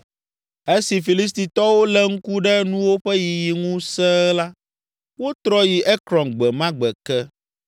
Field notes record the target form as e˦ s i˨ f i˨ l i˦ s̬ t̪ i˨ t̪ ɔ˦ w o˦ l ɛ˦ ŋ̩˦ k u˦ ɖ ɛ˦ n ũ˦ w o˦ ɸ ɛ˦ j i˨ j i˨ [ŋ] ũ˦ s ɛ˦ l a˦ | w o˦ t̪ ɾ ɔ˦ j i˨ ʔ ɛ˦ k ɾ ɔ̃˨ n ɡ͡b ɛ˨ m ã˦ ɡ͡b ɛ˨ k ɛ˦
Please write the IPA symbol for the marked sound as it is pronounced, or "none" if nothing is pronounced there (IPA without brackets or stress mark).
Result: ŋ